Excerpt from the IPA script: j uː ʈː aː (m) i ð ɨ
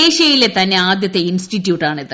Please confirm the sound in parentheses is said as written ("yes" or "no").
no